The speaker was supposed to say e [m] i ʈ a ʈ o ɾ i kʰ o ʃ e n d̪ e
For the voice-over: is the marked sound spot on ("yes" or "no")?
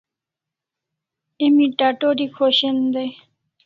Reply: yes